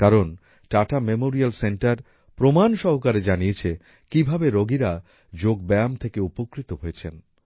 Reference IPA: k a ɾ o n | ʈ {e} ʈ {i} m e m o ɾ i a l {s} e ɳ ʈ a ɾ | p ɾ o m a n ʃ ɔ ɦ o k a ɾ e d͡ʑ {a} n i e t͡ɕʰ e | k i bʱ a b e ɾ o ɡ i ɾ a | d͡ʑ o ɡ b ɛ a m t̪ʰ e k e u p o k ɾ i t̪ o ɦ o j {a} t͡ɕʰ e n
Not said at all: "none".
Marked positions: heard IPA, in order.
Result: a, a, s, a, e

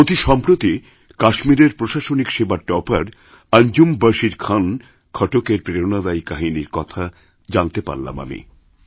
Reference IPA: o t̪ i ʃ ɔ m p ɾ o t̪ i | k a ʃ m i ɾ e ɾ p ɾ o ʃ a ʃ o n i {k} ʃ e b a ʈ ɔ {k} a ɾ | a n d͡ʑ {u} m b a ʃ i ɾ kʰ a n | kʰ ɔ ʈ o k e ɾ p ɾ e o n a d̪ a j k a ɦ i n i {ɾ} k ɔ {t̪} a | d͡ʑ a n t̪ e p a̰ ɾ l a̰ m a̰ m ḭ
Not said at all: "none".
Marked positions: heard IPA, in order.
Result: k, p, u, ɾ, t̪ʰ

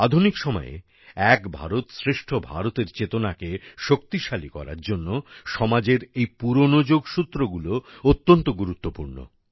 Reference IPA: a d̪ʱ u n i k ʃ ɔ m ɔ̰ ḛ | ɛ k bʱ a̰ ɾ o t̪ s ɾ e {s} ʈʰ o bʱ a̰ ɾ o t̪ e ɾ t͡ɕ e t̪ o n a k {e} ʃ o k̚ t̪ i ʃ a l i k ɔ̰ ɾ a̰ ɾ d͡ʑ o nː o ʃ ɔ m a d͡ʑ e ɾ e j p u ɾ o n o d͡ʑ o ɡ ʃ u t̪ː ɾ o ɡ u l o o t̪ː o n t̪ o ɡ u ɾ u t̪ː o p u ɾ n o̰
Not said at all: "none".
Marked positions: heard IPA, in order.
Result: ʃ, e

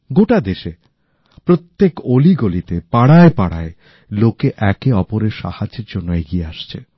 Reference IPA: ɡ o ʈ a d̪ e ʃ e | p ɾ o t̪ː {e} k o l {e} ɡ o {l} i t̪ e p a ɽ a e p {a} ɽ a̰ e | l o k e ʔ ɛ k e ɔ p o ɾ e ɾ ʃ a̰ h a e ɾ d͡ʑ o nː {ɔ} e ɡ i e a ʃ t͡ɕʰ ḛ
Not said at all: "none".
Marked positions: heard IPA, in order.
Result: e, i, l, a, o

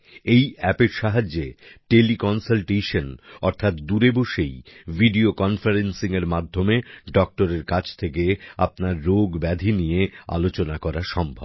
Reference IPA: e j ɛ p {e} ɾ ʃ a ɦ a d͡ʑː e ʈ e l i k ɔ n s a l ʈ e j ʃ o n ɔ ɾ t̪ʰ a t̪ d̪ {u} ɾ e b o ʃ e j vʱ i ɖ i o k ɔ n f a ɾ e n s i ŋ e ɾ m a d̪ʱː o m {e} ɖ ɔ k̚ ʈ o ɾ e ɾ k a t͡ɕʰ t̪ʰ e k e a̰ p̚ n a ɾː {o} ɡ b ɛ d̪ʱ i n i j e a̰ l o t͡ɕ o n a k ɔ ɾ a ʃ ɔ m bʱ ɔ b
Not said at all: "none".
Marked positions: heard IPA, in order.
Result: e, u, e, o

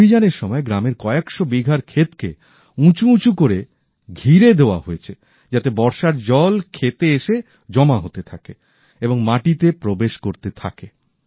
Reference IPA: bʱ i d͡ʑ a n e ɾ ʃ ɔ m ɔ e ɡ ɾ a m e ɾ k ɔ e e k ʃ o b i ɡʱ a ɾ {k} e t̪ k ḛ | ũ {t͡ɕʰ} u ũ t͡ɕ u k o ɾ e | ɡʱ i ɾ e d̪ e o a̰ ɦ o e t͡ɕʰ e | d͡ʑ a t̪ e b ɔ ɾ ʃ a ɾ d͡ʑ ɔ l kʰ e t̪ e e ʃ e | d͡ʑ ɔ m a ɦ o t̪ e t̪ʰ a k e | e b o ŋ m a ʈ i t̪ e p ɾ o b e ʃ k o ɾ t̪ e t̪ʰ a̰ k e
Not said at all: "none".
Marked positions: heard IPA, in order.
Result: kʰ, t͡ɕ

